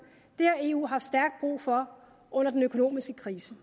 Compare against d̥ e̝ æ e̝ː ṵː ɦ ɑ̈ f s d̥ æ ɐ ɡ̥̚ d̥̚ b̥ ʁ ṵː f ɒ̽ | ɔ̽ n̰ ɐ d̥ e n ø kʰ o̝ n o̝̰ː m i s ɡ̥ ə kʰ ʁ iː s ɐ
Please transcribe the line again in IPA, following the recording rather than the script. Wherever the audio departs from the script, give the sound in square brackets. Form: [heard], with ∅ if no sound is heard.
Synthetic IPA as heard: d̥ e̝ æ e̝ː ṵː ɦ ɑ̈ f s d̥ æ ɐ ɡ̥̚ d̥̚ b̥ ʁ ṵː f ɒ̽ | ɔ̽ n̰ ɐ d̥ e n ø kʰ o̝ n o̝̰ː m i s ɡ̥ ə kʰ ʁ iː s [ə]

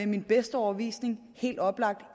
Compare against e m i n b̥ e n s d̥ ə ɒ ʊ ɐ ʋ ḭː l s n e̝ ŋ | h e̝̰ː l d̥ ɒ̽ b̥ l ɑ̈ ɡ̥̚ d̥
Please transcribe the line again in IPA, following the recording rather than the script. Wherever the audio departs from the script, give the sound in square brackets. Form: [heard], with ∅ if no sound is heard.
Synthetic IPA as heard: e m i n b̥ e [∅] s d̥ ə ɒ ʊ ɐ ʋ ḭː [∅] s n e̝ ŋ | h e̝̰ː l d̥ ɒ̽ b̥ l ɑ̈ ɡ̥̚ d̥

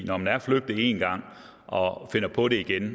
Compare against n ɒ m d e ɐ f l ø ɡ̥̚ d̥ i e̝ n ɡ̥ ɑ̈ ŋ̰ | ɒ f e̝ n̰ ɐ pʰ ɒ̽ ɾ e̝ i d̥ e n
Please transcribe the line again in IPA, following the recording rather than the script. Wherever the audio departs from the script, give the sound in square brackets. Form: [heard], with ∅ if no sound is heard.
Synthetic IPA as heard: n ɒ m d [æ] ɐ f l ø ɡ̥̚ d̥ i e̝ n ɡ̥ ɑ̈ ŋ̰ | ɒ f e̝ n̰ ɐ pʰ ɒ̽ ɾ e̝ i [ɡ̥] e n

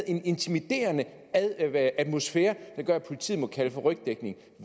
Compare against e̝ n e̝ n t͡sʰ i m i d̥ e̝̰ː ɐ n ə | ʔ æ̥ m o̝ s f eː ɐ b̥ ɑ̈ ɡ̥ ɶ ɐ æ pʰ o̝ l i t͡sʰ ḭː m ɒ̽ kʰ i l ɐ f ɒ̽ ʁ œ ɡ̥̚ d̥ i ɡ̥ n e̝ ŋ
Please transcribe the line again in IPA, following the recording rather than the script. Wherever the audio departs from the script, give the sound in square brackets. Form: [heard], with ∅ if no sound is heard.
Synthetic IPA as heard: e̝ n e̝ n t͡sʰ i m i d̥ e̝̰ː ɐ n ə | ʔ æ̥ m o̝ s f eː ɐ [d̥] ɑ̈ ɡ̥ ɶ ɐ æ pʰ o̝ l i t͡sʰ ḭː m ɒ̽ kʰ [æ] l [ə] f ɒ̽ ʁ œ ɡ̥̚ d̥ [e] ɡ̥ n e̝ ŋ

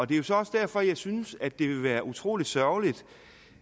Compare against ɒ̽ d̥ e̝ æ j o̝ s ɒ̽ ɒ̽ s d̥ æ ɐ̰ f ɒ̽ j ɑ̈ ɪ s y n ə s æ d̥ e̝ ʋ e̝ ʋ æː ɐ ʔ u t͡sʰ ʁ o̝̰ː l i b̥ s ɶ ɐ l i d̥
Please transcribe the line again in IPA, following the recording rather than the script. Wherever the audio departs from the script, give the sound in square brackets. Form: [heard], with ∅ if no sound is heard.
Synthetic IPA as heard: ɒ̽ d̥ e̝ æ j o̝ s ɒ̽ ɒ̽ s d̥ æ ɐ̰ f ɒ̽ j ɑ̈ ɪ s y n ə s æ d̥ e̝ ʋ e̝ ʋ æː ɐ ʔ u t͡sʰ ʁ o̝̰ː l i [d̥] s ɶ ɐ l i d̥

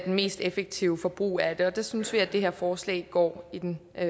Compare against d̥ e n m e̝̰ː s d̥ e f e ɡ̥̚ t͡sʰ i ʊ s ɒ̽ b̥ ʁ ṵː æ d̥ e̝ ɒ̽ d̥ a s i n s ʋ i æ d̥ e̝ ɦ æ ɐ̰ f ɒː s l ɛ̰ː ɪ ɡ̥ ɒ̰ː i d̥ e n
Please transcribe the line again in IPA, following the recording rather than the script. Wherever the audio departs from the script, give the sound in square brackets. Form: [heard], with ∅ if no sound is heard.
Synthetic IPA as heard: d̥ e n m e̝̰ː s d̥ e f e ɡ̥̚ t͡sʰ i ʊ [f] ɒ̽ b̥ ʁ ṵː æ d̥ e̝ ɒ̽ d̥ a s [y] n s ʋ i æ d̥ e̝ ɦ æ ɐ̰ f ɒː s l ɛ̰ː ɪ ɡ̥ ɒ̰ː i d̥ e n

